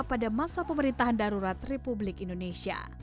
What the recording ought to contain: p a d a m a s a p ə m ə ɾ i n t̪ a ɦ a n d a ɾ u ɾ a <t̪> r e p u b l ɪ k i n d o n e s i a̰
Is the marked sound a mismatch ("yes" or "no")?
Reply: no